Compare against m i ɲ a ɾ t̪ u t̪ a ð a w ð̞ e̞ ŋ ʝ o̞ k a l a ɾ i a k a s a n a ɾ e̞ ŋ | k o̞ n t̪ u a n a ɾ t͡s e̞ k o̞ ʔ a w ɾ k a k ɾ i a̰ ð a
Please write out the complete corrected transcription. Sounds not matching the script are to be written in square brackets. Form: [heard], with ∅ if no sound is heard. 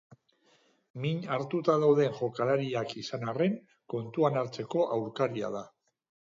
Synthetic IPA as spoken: m i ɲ a ɾ t̪ u t̪ a ð a w ð̞ e̞ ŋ ʝ o̞ k a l a ɾ i a k [i] s a n a [r] e̞ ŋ | k o̞ n t̪ u a n a ɾ t͡s e̞ k o̞ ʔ a w ɾ k a [∅] ɾ i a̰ ð a